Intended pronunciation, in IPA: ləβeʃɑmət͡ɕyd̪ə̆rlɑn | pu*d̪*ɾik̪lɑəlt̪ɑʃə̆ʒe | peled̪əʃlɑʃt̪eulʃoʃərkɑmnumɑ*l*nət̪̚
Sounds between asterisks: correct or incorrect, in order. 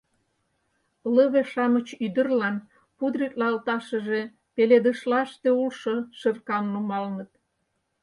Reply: correct, correct

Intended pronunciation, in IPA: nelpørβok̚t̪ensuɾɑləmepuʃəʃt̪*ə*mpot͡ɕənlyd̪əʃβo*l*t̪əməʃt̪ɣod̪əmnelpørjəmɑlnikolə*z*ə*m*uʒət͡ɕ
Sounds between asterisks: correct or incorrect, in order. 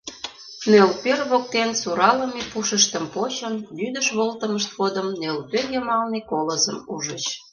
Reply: correct, correct, correct, correct

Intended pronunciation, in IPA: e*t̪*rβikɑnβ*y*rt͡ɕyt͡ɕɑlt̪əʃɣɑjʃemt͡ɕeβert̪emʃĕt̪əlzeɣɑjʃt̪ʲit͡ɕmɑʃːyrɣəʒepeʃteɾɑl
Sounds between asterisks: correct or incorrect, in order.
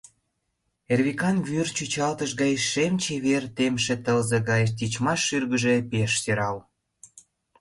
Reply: incorrect: none, correct

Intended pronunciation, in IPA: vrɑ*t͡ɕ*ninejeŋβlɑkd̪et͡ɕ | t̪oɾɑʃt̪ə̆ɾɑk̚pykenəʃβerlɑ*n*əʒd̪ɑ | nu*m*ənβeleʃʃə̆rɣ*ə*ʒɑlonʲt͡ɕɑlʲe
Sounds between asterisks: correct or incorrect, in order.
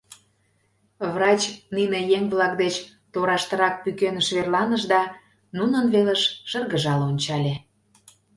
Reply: correct, correct, incorrect: n, correct

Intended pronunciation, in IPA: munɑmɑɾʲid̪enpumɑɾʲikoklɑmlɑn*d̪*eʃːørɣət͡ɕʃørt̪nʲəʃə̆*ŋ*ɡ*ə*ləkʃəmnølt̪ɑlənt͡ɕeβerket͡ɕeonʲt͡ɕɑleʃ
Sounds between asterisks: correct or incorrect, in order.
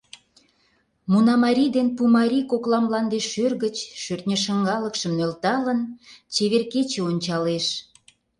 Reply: correct, correct, incorrect: ɑ

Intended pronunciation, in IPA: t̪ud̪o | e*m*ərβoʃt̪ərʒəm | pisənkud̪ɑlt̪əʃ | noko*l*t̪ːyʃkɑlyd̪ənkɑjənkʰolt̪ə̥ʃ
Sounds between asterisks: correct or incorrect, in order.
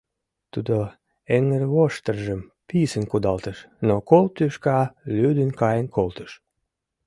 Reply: incorrect: ŋ, correct

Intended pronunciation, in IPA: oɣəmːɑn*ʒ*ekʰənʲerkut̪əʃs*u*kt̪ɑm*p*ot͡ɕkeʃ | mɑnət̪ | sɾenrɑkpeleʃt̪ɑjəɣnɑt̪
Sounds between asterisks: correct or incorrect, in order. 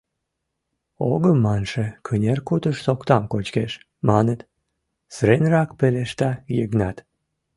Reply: incorrect: ʃ, incorrect: o, incorrect: k

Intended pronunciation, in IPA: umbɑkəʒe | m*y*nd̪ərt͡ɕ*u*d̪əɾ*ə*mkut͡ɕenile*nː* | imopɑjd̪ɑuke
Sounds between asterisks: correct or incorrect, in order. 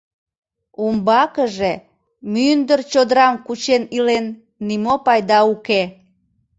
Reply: correct, incorrect: o, incorrect: ɑ, correct

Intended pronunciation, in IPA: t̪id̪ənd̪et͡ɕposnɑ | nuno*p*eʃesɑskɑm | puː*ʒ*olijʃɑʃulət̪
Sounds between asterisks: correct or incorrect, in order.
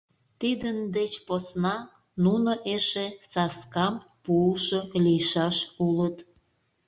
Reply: incorrect: ʔ, incorrect: ʃ

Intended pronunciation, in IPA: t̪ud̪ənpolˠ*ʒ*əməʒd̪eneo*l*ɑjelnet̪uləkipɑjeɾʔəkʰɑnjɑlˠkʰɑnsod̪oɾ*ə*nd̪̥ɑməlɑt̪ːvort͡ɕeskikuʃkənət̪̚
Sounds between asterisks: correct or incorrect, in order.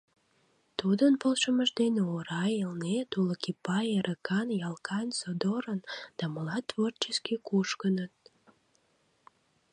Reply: incorrect: ʃ, incorrect: ɾ, correct

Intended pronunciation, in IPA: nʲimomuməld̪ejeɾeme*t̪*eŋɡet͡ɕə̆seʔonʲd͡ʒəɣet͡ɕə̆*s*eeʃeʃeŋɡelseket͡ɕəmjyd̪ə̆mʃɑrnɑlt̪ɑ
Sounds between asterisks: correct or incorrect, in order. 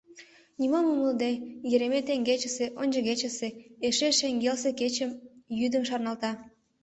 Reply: correct, correct

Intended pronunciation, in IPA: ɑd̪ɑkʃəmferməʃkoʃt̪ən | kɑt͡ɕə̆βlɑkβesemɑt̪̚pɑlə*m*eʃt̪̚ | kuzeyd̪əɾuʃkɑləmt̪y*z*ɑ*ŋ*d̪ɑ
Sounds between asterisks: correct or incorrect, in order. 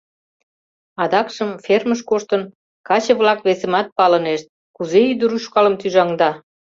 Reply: incorrect: n, incorrect: ʒ, correct

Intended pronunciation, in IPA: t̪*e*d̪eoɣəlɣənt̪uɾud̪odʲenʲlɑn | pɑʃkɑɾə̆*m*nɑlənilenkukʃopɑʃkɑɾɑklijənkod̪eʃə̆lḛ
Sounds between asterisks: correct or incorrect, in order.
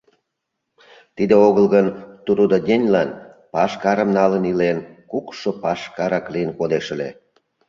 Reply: incorrect: i, correct

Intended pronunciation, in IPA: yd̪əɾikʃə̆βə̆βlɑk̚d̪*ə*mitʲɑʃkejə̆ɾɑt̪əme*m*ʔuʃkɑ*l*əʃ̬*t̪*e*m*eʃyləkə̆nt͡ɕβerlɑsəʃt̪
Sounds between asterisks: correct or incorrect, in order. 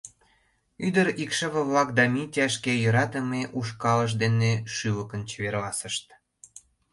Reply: incorrect: ɑ, incorrect: none, correct, incorrect: d̪, incorrect: n

